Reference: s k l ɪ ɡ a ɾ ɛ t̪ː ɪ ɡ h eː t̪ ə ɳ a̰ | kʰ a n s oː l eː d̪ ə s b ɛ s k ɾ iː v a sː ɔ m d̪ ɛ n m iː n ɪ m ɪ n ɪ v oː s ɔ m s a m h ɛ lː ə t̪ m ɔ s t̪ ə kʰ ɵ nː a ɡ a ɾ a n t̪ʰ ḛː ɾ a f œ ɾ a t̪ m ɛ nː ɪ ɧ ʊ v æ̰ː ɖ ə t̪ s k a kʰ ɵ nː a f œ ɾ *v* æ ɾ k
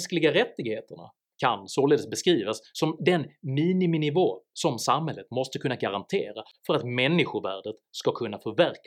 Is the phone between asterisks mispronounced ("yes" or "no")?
no